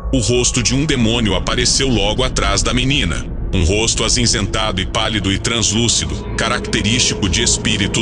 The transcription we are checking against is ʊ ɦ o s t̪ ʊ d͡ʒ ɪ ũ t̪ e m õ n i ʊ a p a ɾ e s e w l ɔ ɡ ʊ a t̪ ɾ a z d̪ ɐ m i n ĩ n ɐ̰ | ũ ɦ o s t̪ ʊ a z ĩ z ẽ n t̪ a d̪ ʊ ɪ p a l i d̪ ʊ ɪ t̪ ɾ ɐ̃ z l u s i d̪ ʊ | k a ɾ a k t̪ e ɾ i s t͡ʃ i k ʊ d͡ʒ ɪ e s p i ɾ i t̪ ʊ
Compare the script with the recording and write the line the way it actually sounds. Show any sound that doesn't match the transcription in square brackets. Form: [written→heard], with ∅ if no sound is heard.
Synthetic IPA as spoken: ʊ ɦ o s t̪ ʊ d͡ʒ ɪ ũ [t̪→d̪] e m õ n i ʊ a p a ɾ e s e w l ɔ ɡ ʊ a t̪ ɾ a z d̪ ɐ m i n ĩ n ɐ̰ | ũ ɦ o s t̪ ʊ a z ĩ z ẽ n t̪ a d̪ ʊ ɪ p a l i d̪ ʊ ɪ t̪ ɾ ɐ̃ z l u s i d̪ ʊ | k a ɾ a k t̪ e ɾ i s t͡ʃ i k ʊ d͡ʒ ɪ e s p i ɾ i t̪ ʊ